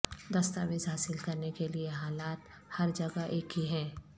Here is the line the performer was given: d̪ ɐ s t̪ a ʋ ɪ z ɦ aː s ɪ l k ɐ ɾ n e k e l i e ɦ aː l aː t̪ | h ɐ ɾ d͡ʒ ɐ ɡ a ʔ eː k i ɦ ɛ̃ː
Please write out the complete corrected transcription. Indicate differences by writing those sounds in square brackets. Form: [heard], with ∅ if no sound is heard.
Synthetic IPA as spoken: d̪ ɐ s t̪ a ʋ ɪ z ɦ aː s ɪ l k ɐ ɾ n e k e l i e ɦ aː l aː t̪ | h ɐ ɾ d͡ʒ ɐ ɡ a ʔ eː k i ɦ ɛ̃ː

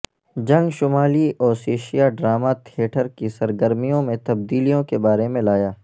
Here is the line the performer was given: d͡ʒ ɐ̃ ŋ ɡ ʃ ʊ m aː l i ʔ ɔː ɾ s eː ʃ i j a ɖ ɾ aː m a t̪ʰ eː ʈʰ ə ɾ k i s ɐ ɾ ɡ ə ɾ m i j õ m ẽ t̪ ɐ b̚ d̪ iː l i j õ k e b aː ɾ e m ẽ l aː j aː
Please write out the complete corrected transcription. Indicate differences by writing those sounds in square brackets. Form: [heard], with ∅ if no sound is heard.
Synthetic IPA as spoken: d͡ʒ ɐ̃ ŋ ɡ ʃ ʊ m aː l i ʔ ɔː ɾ s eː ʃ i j a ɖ ɾ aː m a t̪ʰ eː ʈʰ ə ɾ k i s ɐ ɾ ɡ ə ɾ m i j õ m ẽ t̪ ɐ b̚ d̪ iː l i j õ k e b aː ɾ e m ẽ l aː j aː

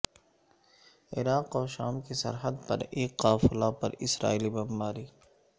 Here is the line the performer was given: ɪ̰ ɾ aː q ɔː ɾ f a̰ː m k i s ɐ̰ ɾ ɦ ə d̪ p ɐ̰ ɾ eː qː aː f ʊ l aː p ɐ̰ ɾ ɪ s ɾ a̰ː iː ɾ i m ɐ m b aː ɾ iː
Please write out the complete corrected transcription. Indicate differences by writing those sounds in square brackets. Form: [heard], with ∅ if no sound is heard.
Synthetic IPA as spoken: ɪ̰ ɾ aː q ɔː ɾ [ʃ] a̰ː m k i s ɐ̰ ɾ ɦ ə d̪ p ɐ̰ ɾ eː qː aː f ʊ l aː p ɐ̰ ɾ ɪ s ɾ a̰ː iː [l] i [b] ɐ m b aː ɾ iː

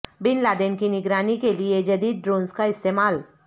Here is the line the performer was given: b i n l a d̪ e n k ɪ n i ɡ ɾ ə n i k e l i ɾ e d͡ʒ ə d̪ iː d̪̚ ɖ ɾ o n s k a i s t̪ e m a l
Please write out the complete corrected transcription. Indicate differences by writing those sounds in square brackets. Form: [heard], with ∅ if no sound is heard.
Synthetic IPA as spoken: b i n l a d̪ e n k [i] n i ɡ ɾ [a] n i k e l i [∅] e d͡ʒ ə d̪ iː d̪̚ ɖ ɾ o n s k a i s t̪ e m a l

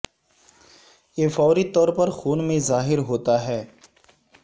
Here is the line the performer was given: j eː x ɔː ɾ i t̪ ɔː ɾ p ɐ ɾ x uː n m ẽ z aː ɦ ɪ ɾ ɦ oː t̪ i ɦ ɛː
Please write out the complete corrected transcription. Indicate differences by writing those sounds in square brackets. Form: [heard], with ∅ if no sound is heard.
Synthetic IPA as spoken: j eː [f] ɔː ɾ i t̪ ɔː ɾ p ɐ ɾ x uː n m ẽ z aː ɦ ɪ ɾ ɦ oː t̪ [a] ɦ ɛː

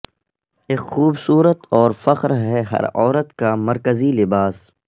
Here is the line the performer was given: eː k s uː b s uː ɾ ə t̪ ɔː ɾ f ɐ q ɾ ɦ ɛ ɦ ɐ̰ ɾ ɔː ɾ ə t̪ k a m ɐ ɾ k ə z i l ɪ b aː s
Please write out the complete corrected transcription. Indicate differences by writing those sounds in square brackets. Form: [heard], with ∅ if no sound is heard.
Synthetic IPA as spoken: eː k [x] uː b s uː ɾ ə t̪ ɔː ɾ f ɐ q ɾ ɦ ɛ ɦ ɐ̰ ɾ ɔː ɾ ə t̪ k a m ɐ ɾ k ə z i l ɪ b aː s

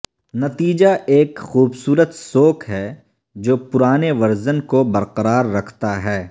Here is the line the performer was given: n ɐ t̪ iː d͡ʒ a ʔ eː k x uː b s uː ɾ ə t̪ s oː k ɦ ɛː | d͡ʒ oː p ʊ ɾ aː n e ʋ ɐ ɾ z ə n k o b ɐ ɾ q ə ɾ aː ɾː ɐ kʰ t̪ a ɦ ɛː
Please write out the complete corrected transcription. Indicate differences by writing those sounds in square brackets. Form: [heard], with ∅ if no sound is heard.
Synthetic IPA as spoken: n ɐ t̪ iː d͡ʒ a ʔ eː k x uː b s uː ɾ ə t̪ s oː k ɦ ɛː | d͡ʒ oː p ʊ ɾ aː n e ʋ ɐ ɾ z ə n k o b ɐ ɾ q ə ɾ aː ɾː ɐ kʰ t̪ a ɦ ɛː

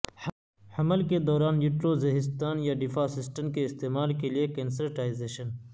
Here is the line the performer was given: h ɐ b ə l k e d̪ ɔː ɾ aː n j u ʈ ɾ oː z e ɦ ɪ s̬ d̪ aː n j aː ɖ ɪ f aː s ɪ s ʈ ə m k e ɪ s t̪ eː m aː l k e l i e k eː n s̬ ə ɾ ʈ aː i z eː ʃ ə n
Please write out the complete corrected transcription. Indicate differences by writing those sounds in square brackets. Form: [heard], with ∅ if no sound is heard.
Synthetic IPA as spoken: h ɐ [m] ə l k e d̪ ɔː ɾ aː n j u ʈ ɾ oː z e ɦ ɪ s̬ [t̪] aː n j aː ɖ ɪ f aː s ɪ s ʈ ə m k e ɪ s t̪ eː m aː l k e l i e k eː n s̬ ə ɾ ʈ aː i z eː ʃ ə n

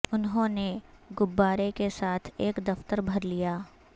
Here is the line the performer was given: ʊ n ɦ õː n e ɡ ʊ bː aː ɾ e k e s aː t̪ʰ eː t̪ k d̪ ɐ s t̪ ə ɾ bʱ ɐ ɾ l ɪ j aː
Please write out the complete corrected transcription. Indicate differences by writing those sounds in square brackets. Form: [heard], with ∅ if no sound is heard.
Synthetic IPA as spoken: ʊ n ɦ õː n e ɡ ʊ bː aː ɾ e k e s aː t̪ʰ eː [∅] k d̪ ɐ [f] t̪ ə ɾ bʱ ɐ ɾ l [i] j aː

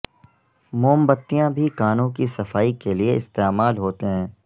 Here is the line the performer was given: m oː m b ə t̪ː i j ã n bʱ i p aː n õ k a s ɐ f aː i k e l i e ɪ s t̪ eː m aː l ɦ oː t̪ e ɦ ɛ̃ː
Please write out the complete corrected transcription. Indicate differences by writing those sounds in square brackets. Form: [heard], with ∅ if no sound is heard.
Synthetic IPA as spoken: m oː m b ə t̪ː i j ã [∅] bʱ i [k] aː n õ k [i] s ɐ f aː i k e l i e ɪ s t̪ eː m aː l ɦ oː t̪ e ɦ ɛ̃ː

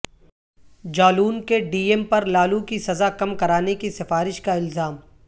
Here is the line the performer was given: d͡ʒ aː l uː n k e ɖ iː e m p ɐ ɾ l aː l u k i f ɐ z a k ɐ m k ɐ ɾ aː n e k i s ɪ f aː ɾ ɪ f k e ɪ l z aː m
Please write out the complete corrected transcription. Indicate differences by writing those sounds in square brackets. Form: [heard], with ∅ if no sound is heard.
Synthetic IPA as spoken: d͡ʒ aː l uː n k e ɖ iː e m p ɐ ɾ l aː l u k i [s] ɐ z a k ɐ m k ɐ ɾ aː n e k i s ɪ f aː ɾ ɪ [ʃ] k [a] ɪ l z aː m

